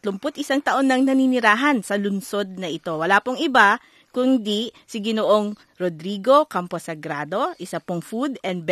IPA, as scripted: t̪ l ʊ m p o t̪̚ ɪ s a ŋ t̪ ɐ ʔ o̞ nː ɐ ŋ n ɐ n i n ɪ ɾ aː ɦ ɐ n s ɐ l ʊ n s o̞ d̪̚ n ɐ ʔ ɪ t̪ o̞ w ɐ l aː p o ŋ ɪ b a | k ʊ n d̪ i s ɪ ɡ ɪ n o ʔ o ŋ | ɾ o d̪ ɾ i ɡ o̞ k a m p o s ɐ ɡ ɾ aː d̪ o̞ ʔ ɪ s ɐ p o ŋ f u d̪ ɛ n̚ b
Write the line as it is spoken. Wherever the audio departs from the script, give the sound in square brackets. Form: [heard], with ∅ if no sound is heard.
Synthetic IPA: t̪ l ʊ m p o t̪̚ ɪ s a ŋ t̪ ɐ ʔ o̞ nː ɐ ŋ n ɐ n i n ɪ ɾ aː ɦ ɐ n s ɐ l ʊ n s o̞ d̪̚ n ɐ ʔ ɪ t̪ o̞ w ɐ l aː p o ŋ ɪ b a | k ʊ n d̪ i s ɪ ɡ ɪ n o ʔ o ŋ | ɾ o d̪ ɾ i ɡ o̞ k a m p o s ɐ ɡ ɾ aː d̪ o̞ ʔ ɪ s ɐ p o ŋ f u d̪ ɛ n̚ b